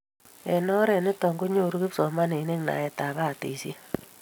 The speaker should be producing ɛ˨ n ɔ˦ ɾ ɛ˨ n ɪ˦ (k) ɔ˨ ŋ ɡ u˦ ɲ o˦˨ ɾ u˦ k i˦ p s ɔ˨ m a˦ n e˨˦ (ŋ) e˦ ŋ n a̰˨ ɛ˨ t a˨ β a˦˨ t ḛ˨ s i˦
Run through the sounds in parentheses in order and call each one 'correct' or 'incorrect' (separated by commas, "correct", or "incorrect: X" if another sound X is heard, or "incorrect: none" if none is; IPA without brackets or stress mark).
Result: incorrect: t, incorrect: n